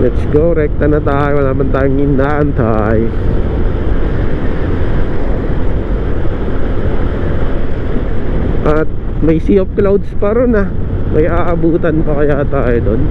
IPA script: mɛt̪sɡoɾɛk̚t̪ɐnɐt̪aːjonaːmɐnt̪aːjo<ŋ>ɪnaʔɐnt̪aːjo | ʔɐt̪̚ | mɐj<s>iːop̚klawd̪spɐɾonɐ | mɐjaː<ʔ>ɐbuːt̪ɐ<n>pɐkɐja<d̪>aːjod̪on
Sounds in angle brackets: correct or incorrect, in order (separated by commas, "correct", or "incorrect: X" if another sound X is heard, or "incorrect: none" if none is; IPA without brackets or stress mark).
correct, correct, correct, correct, incorrect: t̪